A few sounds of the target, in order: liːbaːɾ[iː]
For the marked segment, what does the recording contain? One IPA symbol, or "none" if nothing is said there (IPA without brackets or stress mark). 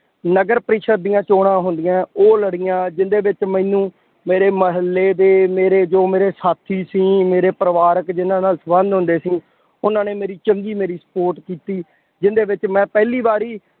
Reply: iː